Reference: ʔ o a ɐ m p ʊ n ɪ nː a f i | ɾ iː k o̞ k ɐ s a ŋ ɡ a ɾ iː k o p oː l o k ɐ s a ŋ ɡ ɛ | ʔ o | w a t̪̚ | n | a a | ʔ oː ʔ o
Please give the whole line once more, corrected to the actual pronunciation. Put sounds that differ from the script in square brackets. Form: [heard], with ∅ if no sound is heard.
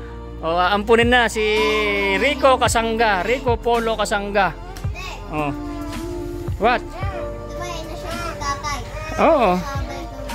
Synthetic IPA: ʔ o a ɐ m p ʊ n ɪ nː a [s] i | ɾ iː k o̞ k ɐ s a ŋ ɡ a ɾ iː k o p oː l o k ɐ s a ŋ ɡ [a] | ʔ o | w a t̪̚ | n | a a | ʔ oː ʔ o

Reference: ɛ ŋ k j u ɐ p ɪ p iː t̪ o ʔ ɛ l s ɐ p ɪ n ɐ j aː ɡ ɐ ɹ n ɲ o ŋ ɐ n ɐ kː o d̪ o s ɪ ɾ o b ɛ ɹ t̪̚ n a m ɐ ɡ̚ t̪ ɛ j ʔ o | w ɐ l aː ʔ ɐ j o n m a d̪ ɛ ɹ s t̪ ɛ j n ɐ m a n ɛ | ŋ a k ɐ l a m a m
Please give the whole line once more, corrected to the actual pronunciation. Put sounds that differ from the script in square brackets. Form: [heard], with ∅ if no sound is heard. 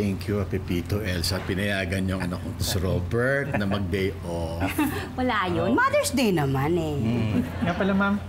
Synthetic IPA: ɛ ŋ k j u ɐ p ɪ p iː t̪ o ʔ ɛ l s ɐ p ɪ n ɐ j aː ɡ ɐ [∅] n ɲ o ŋ ɐ n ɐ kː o [t̪] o s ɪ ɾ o b ɛ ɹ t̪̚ n [ɐ] m ɐ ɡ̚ [d̪] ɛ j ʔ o | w ɐ l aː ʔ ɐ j o n m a d̪ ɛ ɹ s [d̪] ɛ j n ɐ m a n ɛ | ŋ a [p] ɐ l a m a m

